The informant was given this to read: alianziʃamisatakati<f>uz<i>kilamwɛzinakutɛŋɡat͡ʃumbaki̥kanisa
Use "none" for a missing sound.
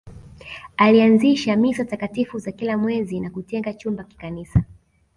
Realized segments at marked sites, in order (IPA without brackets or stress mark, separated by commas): f, a